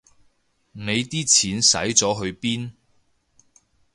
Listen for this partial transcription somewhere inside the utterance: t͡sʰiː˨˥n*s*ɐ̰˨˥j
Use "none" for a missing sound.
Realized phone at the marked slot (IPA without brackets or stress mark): s